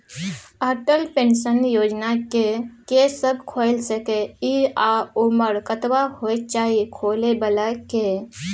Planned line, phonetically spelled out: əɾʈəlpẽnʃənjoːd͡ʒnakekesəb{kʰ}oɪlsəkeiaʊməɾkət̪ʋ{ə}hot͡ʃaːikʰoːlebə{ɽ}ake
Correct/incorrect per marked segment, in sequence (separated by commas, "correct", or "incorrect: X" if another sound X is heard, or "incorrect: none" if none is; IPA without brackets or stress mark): correct, incorrect: a, incorrect: l